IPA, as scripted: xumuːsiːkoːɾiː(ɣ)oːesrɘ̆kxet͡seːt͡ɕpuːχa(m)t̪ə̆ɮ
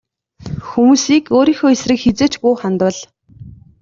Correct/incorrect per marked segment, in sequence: incorrect: x, incorrect: n

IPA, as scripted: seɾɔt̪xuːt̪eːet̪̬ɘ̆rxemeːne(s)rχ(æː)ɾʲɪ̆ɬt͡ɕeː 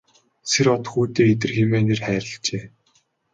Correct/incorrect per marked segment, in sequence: incorrect: none, correct

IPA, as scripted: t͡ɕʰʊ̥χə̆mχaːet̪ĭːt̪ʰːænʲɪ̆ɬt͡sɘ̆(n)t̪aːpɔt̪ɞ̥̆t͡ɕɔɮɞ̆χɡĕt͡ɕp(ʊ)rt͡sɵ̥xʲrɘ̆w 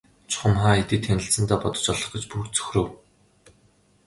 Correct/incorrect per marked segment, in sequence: correct, incorrect: u

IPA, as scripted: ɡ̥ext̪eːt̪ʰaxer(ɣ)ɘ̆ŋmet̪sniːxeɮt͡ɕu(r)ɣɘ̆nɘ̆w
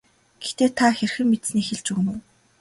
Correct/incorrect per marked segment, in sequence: incorrect: x, incorrect: none

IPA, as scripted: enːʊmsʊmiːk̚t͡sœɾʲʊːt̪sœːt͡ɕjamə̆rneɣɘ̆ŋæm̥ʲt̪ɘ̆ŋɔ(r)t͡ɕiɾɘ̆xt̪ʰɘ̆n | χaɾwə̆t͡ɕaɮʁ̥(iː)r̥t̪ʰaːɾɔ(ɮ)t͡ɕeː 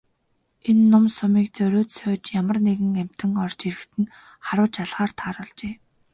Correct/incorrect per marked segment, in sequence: correct, incorrect: aː, correct

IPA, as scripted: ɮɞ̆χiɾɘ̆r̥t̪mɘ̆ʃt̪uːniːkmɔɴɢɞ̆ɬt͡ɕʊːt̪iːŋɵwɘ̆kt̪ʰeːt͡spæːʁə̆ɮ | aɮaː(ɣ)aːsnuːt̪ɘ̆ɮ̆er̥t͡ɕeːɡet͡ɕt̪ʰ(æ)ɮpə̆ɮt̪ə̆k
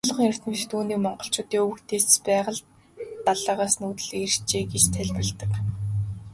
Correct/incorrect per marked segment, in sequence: incorrect: ʁ, correct

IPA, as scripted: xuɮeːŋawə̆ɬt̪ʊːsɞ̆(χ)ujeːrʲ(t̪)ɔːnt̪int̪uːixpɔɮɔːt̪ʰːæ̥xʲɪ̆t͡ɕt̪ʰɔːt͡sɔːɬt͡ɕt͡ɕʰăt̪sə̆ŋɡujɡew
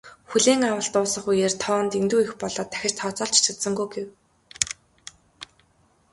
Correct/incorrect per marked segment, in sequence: correct, incorrect: t̪ʰ

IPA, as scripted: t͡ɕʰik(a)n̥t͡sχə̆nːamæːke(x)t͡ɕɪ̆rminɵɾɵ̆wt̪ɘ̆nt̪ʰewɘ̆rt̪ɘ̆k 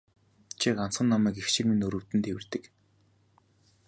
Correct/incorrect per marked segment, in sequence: correct, correct

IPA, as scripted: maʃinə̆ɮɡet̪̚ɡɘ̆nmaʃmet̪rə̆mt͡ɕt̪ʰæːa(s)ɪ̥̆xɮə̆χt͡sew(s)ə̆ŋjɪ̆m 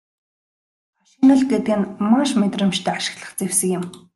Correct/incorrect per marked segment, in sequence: incorrect: ʃ, correct

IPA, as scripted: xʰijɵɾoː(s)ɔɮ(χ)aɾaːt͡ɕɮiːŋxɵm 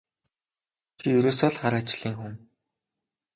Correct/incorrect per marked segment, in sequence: correct, correct

